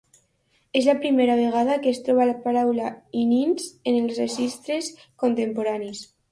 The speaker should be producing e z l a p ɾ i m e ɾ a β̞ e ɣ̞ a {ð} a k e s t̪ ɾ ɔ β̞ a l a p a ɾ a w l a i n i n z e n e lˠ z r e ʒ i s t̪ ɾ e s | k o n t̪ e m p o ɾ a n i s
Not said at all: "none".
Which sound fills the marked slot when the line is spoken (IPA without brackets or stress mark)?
ð